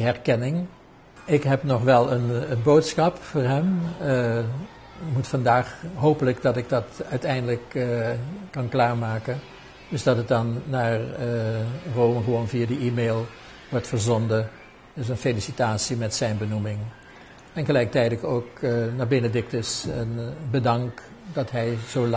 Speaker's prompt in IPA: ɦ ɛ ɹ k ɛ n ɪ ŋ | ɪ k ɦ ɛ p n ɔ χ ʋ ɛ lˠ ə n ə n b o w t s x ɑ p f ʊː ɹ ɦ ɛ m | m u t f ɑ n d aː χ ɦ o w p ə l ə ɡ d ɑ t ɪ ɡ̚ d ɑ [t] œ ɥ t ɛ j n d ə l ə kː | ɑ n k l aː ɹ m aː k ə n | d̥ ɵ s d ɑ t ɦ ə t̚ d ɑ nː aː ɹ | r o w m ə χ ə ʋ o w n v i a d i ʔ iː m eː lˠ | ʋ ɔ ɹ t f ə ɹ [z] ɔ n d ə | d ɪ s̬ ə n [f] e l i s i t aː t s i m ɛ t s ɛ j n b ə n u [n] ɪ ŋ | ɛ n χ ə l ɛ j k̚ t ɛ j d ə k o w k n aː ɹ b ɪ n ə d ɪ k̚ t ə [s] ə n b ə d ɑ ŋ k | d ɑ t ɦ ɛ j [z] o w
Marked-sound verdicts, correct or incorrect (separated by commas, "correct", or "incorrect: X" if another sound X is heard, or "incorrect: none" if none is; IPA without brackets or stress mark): correct, correct, correct, incorrect: m, correct, correct